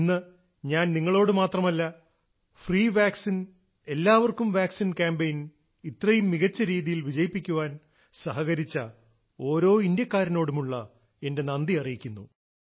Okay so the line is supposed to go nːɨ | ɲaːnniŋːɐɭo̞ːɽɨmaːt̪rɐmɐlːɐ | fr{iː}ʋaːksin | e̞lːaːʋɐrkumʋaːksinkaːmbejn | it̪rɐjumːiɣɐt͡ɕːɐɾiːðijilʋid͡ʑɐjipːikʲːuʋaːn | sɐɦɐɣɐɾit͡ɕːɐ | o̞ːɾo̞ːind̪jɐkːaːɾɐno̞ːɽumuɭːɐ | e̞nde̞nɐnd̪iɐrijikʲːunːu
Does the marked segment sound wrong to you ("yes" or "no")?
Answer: no